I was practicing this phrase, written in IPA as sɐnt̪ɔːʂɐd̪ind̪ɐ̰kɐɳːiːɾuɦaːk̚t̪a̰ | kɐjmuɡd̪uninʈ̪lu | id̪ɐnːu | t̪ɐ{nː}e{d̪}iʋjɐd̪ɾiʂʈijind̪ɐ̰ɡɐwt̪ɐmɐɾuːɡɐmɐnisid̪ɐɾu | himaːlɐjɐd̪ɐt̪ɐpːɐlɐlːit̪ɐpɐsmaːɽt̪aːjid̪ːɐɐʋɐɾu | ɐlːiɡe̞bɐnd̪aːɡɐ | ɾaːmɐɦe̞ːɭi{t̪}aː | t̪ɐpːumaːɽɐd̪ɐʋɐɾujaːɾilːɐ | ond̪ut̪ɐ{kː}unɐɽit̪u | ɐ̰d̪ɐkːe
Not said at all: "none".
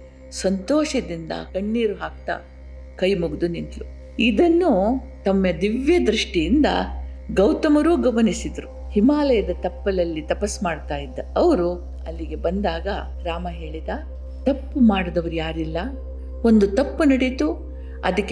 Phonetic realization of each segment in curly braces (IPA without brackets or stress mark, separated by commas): mː, d̪, d̪, pː